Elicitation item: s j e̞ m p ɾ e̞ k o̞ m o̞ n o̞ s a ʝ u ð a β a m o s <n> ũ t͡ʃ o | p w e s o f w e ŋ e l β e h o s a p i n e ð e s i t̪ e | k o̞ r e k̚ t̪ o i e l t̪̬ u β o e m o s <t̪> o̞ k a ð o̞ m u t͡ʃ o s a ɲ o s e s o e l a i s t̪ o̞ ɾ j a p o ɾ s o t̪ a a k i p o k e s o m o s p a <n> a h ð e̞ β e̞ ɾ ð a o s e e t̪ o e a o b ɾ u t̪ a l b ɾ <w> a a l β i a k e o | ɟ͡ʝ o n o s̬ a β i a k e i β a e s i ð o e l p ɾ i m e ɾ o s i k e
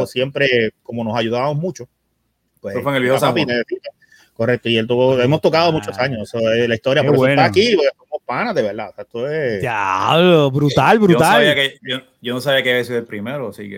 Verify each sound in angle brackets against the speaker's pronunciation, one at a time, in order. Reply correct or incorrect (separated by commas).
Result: incorrect, correct, correct, incorrect